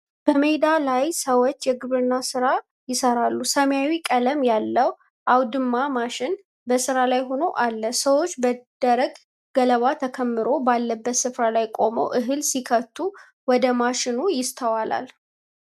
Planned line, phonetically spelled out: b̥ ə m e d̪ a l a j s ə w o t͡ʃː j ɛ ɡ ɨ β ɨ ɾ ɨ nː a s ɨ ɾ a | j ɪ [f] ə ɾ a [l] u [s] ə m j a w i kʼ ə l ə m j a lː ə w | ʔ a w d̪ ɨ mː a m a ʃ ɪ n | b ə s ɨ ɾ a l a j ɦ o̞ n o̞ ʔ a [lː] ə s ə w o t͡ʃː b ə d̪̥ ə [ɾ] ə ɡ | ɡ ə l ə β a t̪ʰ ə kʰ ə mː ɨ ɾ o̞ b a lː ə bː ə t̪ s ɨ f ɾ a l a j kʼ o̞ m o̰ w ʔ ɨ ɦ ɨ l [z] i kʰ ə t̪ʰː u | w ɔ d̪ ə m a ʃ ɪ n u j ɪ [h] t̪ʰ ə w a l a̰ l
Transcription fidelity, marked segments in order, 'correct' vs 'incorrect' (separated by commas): incorrect, incorrect, correct, correct, correct, incorrect, incorrect